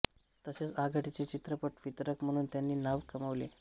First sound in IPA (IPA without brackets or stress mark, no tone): t̪